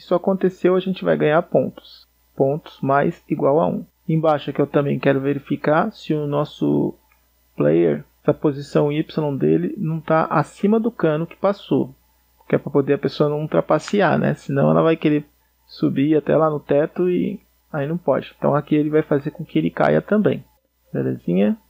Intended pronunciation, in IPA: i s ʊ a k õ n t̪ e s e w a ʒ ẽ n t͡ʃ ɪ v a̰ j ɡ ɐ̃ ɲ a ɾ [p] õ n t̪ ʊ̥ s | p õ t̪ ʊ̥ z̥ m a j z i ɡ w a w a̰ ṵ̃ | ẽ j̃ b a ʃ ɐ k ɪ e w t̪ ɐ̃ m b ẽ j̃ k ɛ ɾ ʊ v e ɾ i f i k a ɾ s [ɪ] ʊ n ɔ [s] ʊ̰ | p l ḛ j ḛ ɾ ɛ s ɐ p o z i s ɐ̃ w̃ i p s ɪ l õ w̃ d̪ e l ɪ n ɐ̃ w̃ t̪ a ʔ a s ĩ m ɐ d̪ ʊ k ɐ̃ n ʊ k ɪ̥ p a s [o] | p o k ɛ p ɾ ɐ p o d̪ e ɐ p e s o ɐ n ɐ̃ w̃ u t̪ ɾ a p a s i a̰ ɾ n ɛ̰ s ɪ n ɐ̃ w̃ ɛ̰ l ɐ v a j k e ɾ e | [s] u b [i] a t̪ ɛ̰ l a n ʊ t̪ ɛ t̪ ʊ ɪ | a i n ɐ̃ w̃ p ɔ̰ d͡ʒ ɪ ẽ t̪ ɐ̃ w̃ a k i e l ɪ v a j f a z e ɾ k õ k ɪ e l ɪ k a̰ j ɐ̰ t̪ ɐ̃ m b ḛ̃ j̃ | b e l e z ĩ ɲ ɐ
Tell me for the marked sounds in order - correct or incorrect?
correct, correct, correct, correct, correct, correct

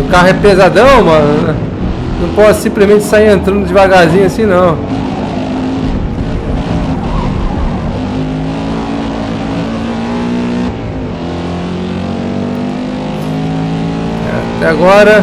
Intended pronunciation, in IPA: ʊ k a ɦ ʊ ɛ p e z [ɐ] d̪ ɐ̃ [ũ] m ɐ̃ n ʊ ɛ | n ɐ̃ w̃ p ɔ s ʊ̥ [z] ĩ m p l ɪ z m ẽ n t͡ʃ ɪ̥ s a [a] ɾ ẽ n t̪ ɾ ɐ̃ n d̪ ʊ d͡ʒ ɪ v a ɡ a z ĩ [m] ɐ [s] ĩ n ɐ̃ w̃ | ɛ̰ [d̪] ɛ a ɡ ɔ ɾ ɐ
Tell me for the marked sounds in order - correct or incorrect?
incorrect, incorrect, incorrect, incorrect, incorrect, correct, incorrect

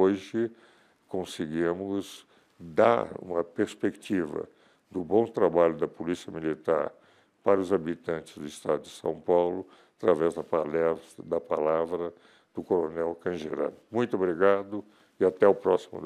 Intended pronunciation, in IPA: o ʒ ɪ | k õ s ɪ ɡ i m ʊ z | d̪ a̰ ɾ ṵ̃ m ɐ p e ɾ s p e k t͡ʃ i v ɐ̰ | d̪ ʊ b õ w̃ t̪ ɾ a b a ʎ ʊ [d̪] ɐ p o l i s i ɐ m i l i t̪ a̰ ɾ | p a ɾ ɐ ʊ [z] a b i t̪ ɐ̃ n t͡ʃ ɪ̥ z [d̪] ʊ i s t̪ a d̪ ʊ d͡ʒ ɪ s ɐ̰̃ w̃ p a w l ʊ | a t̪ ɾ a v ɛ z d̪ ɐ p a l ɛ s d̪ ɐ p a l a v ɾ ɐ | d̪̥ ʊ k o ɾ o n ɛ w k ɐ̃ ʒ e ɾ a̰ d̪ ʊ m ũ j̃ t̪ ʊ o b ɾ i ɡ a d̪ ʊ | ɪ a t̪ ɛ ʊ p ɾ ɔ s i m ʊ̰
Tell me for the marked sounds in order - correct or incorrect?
correct, correct, correct

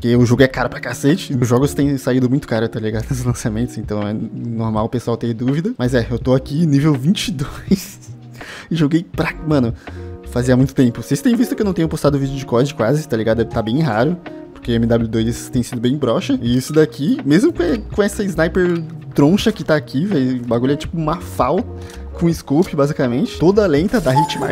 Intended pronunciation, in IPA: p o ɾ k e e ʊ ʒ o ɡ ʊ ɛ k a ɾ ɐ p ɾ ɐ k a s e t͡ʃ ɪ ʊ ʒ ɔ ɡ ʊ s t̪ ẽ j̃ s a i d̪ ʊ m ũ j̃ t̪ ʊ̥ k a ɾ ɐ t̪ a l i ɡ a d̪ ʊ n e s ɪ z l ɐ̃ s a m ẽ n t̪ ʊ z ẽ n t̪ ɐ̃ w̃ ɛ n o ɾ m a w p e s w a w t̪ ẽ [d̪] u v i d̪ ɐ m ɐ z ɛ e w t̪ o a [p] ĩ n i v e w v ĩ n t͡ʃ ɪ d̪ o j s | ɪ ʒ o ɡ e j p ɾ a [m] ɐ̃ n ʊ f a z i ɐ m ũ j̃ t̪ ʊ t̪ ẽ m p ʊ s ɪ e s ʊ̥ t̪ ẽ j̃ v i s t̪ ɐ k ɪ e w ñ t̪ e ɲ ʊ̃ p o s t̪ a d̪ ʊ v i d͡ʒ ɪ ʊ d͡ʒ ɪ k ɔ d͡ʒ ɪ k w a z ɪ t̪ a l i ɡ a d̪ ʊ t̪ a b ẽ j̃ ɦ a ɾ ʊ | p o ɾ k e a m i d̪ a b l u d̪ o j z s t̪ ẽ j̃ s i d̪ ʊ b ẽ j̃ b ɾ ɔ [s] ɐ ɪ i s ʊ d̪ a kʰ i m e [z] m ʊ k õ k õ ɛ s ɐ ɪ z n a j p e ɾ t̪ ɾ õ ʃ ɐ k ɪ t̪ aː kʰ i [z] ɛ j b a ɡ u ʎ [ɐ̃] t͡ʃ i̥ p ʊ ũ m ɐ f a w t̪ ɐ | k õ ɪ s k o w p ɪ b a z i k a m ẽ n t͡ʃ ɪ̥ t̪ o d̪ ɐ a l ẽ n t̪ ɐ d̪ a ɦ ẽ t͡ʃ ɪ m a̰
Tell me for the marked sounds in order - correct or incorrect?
correct, incorrect, correct, incorrect, correct, incorrect, incorrect

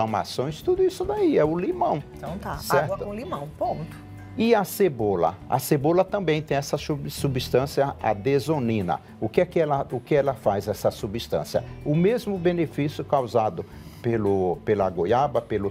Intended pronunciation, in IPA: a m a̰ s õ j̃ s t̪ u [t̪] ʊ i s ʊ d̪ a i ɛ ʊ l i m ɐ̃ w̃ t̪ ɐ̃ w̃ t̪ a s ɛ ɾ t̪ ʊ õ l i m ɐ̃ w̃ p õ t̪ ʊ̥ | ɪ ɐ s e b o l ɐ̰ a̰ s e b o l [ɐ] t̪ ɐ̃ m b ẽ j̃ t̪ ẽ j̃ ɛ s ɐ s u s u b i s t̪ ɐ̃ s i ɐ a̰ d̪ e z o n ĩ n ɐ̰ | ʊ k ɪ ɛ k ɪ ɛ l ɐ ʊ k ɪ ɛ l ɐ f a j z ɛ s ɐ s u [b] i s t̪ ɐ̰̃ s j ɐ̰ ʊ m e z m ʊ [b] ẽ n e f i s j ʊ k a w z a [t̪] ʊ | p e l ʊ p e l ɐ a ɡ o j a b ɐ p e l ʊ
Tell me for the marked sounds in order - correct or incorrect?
incorrect, correct, correct, correct, incorrect

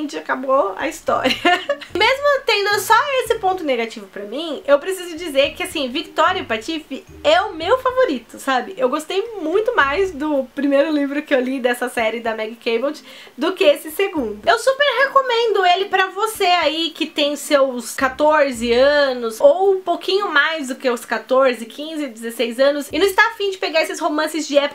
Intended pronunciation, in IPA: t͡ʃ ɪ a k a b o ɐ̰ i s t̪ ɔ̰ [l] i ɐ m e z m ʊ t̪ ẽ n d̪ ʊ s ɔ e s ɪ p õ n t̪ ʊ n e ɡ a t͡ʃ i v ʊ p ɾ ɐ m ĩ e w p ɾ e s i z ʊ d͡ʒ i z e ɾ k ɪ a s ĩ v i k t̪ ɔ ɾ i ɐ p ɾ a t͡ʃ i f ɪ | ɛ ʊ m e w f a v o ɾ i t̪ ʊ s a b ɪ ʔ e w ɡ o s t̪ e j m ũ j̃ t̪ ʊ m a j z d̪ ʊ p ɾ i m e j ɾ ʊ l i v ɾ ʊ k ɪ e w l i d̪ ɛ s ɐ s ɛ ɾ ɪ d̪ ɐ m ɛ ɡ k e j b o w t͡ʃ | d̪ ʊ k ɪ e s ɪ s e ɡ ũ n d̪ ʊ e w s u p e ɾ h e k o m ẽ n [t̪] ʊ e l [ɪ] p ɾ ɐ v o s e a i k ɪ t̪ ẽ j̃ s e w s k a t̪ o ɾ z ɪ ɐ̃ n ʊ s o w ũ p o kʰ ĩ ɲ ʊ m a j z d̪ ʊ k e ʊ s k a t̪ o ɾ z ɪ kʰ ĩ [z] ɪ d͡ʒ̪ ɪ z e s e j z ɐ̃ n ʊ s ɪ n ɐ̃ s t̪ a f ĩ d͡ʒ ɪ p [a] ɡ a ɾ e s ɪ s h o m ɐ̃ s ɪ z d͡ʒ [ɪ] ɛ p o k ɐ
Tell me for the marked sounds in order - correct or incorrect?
incorrect, incorrect, correct, correct, incorrect, correct

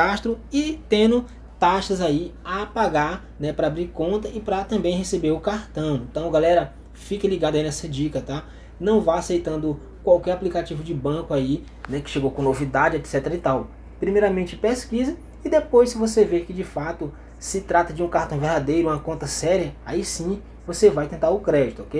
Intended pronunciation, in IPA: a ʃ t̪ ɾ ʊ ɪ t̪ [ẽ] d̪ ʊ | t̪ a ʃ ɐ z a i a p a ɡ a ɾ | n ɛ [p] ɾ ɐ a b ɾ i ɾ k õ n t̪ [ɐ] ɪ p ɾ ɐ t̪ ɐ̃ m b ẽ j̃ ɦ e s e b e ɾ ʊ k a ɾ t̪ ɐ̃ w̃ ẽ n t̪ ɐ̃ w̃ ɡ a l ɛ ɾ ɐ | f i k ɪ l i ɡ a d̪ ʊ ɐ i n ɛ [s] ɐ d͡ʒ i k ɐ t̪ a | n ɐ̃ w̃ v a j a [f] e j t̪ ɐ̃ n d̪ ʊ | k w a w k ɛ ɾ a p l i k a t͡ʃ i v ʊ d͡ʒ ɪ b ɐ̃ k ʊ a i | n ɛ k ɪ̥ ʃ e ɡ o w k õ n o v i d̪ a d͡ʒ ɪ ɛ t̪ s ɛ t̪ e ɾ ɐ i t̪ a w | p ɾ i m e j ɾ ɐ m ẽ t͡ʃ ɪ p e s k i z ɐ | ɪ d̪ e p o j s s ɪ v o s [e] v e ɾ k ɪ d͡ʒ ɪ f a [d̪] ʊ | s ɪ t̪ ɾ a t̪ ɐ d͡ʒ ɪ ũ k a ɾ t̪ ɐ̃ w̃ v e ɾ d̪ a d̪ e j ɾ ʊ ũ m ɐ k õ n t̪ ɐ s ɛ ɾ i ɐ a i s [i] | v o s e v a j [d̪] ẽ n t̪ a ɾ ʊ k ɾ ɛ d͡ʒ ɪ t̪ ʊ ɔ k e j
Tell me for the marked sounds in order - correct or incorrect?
correct, correct, correct, correct, incorrect, correct, incorrect, incorrect, incorrect

